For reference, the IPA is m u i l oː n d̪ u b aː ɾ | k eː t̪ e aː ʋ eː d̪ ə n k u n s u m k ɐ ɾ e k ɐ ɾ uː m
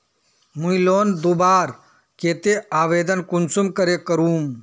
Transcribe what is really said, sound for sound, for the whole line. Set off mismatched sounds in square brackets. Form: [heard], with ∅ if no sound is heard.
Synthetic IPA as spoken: m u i l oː n d̪ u b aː ɾ | k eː t̪ e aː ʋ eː d̪ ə n k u n s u m k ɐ ɾ e k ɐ ɾ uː m